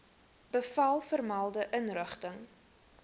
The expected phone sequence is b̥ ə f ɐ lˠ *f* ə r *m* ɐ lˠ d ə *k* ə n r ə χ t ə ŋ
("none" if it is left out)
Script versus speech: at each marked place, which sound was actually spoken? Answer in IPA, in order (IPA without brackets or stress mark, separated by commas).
f, m, ʔ